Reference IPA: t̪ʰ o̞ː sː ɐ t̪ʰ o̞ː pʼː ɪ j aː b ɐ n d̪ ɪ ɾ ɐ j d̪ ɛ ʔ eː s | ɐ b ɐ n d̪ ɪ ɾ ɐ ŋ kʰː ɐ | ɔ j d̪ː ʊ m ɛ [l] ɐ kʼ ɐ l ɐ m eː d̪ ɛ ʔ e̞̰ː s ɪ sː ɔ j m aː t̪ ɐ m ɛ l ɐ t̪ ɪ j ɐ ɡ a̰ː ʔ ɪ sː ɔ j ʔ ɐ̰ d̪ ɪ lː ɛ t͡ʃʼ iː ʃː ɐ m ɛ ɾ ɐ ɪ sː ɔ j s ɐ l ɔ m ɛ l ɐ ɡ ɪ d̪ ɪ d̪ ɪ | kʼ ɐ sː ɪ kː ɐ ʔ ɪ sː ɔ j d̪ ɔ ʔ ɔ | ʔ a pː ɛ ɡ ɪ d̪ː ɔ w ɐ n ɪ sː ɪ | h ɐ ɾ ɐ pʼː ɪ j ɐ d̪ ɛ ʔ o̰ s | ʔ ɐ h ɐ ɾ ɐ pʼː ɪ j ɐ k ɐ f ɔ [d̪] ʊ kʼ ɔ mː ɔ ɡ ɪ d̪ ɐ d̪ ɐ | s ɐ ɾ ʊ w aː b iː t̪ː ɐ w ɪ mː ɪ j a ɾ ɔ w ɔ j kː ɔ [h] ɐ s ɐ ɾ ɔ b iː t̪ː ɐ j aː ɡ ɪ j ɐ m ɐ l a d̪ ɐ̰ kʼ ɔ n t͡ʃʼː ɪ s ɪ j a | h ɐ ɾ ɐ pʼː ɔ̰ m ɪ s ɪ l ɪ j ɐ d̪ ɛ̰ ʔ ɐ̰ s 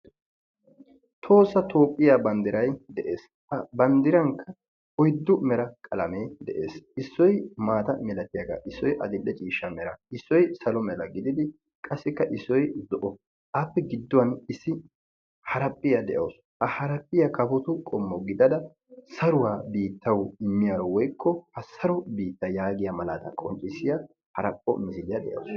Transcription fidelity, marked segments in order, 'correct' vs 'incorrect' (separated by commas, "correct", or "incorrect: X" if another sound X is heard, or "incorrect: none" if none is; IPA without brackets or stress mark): incorrect: ɾ, incorrect: t̪, correct